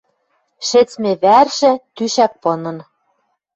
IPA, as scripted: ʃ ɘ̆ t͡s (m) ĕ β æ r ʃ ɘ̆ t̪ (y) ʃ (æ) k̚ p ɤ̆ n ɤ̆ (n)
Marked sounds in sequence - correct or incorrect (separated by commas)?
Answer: correct, correct, correct, correct